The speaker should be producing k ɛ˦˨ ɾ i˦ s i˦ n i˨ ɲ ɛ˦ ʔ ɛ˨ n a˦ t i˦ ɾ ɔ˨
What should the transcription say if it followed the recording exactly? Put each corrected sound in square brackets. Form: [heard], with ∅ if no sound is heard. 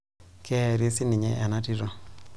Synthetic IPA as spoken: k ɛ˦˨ ɾ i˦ s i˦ n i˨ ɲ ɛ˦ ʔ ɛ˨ n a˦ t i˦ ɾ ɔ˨